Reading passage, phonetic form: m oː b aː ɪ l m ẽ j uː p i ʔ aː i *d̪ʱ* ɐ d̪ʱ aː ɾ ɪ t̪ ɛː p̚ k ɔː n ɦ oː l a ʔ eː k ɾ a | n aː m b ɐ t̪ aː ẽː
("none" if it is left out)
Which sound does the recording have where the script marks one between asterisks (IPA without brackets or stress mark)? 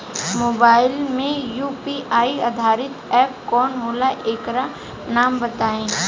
none